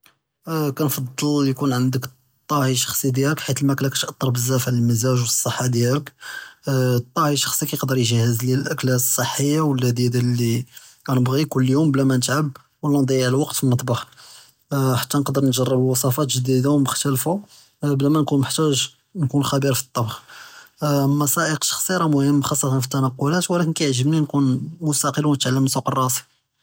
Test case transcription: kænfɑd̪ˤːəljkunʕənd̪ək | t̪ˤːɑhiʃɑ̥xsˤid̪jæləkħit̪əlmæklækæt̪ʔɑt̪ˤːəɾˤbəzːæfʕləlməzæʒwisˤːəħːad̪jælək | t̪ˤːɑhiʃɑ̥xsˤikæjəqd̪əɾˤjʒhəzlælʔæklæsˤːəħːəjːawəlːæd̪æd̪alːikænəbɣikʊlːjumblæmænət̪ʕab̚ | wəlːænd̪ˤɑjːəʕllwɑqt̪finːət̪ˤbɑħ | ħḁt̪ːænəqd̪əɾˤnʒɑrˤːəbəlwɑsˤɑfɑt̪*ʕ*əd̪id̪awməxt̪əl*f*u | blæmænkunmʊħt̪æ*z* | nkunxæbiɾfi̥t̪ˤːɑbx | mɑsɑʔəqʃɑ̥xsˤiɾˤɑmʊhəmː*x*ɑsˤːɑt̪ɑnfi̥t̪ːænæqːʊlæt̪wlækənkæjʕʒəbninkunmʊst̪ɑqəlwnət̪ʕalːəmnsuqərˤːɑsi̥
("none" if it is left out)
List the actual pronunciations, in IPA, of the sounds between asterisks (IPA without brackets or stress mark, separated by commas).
ʒ, f, ʒ, x